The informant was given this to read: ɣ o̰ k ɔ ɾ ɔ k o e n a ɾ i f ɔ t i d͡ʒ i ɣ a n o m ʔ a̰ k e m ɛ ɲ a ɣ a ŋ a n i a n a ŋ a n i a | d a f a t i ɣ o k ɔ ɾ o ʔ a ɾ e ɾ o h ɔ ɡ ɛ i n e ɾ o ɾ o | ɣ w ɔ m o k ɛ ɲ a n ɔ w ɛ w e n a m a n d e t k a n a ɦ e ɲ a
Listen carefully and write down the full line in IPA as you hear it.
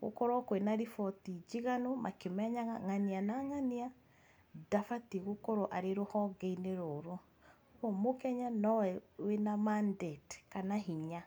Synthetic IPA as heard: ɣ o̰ k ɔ ɾ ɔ k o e n a ɾ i f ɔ t i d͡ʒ i ɣ a n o m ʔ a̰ k e m ɛ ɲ a ɣ a ŋ a n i a n a ŋ a n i a | d a f a t i ɣ o k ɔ ɾ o ʔ a ɾ e ɾ o h ɔ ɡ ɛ i n e ɾ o ɾ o | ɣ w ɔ m o k ɛ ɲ a n ɔ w ɛ w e n a m a n d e t k a n a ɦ i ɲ a